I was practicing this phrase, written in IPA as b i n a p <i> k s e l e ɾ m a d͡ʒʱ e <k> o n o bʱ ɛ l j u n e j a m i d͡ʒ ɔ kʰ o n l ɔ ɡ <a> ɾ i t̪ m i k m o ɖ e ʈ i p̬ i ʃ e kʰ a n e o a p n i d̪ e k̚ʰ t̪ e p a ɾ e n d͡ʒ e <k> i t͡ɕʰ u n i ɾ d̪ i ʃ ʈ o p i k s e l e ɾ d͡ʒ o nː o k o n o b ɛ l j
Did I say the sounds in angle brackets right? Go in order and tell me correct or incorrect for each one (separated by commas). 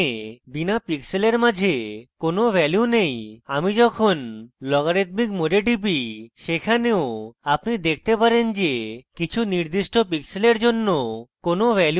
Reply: correct, correct, correct, correct